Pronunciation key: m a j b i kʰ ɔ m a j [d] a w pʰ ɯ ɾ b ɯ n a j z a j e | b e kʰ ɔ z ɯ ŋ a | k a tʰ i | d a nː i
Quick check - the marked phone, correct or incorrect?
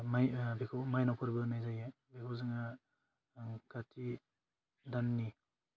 incorrect: n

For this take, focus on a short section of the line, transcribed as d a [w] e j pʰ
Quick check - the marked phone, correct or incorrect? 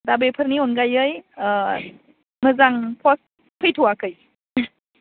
incorrect: b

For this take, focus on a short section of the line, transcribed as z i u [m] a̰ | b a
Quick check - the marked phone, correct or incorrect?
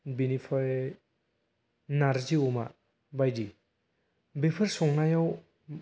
correct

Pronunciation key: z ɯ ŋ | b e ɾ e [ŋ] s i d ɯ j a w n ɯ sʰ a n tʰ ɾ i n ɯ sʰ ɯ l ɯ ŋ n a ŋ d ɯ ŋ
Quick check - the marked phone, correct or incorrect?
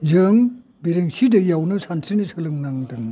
correct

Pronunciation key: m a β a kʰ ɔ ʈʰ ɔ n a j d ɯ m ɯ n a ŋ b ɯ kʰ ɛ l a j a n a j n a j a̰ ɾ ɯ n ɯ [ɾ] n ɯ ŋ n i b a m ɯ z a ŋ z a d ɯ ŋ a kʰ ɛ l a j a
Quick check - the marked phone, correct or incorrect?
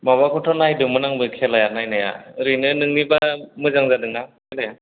incorrect: none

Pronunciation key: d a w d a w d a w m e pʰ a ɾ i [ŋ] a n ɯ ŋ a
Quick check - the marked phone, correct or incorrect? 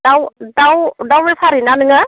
incorrect: n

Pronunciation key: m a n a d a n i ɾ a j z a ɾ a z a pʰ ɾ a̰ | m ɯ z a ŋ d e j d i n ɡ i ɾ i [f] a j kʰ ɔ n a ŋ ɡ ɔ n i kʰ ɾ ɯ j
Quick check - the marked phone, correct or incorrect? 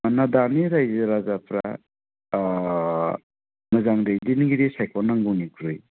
incorrect: s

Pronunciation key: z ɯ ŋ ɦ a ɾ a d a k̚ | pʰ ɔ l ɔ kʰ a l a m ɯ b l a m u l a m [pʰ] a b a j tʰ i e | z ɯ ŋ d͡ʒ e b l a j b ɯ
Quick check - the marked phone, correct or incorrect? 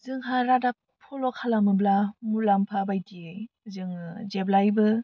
correct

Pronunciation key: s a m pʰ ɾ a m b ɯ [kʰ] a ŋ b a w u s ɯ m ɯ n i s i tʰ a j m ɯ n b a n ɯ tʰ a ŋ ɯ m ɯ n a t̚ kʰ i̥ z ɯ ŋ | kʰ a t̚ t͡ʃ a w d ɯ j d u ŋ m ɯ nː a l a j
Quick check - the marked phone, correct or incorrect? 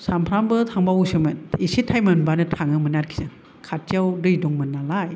incorrect: tʰ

